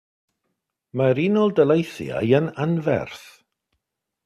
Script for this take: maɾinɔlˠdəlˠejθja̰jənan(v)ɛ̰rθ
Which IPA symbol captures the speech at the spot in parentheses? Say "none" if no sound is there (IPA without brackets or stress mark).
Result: v